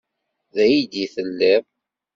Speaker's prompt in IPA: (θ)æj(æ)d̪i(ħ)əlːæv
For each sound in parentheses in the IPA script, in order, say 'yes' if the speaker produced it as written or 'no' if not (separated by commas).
no, no, no